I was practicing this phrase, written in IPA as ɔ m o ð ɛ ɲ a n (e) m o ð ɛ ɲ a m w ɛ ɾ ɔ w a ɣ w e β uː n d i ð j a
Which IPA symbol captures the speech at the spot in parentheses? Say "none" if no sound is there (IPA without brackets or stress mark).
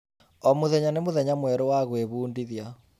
e